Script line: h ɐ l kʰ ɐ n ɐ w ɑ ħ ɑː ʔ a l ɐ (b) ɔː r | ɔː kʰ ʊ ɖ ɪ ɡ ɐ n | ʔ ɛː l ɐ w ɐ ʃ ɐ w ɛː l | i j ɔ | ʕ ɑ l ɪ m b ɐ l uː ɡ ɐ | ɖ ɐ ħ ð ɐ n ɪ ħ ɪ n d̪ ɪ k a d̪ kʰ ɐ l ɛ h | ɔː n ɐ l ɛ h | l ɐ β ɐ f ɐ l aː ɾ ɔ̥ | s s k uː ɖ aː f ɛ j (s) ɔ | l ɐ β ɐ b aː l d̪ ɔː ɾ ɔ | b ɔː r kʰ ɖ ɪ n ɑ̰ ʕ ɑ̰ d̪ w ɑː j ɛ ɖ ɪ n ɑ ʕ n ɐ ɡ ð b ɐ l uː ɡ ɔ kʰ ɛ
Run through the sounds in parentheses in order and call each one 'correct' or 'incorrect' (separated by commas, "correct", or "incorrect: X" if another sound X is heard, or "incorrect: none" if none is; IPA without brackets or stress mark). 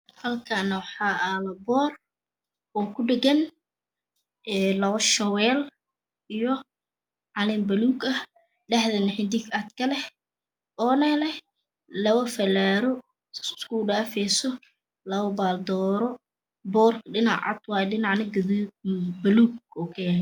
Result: correct, correct